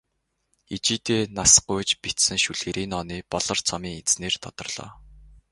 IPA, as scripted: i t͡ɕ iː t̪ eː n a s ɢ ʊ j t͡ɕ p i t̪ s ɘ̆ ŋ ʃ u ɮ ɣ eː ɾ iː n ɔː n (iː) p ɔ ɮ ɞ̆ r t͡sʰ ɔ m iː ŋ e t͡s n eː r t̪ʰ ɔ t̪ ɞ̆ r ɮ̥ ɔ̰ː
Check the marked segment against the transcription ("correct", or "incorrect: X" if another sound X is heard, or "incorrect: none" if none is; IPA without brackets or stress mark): correct